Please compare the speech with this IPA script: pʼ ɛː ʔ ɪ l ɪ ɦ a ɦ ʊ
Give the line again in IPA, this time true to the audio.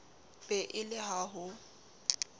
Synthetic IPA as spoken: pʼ ɛ ʔ ɪ l ɪ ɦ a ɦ ʊ

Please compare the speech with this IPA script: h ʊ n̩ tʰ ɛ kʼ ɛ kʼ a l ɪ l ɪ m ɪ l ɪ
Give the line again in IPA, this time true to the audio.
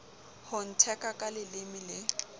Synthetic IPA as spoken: h ʊ n̩ tʰ ɛ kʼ a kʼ a l ɪ l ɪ m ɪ l ɪ

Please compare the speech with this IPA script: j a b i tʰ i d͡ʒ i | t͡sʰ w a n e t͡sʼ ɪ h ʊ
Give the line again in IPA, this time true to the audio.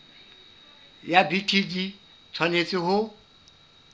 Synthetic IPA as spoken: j a b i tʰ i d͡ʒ i | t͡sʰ w a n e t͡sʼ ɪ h ʊ

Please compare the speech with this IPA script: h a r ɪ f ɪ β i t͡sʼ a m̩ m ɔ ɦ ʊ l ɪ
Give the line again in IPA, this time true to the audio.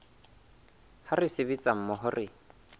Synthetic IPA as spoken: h a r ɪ s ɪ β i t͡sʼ a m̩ m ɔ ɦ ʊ r ɪ

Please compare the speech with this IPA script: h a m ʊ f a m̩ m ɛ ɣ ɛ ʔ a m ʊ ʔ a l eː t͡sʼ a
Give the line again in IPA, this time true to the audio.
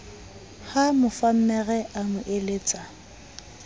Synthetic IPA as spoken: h a m ʊ f a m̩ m ɛ ɣ ɛ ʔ a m ʊ ʔ e l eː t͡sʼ a

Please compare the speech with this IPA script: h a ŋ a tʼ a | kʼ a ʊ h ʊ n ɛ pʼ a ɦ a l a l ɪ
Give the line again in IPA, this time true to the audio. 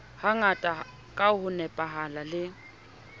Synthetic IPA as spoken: h a ŋ a tʼ a | kʼ a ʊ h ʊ n ɛ pʼ a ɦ a l a l ɪ

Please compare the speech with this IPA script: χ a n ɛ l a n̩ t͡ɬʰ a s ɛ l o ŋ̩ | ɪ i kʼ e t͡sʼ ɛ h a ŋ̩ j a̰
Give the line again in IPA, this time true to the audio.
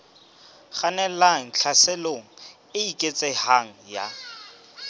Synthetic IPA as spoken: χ a n ɛ l a ŋ̩ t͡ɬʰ a s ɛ l o ŋ̩ | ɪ i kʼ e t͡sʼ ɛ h a ŋ̩ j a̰

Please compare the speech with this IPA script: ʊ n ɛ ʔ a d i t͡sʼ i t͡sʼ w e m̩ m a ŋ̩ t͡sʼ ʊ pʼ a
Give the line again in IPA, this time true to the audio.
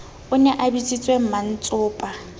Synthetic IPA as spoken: ʊ n ɛ ʔ a b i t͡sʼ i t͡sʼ w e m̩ m a n̩ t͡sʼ ʊː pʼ a

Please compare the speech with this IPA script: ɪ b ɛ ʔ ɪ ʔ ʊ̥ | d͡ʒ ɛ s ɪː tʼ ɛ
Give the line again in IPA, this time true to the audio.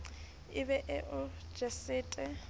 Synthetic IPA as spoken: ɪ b ɛ ʔ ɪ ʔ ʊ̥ | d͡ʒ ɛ s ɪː tʼ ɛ

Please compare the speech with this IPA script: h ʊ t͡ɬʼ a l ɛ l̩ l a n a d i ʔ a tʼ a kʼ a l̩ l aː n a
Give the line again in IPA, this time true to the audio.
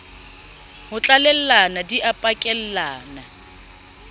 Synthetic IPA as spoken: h ʊ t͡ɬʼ a l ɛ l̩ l a n a d i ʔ a pʼ a kʼ ɛ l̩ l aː n a

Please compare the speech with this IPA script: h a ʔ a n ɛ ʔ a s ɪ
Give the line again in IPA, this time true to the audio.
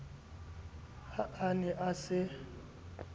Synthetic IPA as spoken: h a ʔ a n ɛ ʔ a s ɪ

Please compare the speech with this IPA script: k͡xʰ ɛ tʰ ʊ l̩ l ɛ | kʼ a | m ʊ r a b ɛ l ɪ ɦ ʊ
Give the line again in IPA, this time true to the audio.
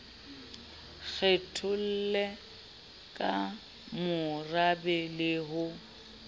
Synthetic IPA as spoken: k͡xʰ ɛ tʰ ʊ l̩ l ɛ | kʼ a | m ʊ r a b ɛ l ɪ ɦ ʊ

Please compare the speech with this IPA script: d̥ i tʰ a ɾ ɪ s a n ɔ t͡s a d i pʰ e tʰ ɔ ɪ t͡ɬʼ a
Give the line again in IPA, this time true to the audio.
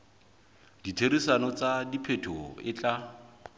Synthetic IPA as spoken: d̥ i tʰ e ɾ i s a n ɔ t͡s a d i pʰ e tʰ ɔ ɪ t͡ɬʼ a

